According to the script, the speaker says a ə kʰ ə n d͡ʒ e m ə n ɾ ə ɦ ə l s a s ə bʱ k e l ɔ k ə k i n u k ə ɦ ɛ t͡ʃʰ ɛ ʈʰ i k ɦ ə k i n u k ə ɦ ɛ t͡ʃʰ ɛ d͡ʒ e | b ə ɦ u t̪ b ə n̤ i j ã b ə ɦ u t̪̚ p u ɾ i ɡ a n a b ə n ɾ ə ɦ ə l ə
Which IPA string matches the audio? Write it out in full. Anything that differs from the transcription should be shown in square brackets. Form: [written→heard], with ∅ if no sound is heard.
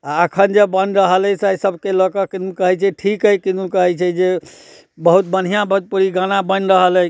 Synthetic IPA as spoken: a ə kʰ ə n d͡ʒ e [m→b] ə n ɾ ə ɦ ə l s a s ə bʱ k e l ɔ k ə k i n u k ə ɦ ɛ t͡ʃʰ ɛ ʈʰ i k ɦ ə k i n u k ə ɦ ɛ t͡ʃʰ ɛ d͡ʒ e | b ə ɦ u t̪ b ə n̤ i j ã b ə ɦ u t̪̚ p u ɾ i ɡ a n a b ə n ɾ ə ɦ ə l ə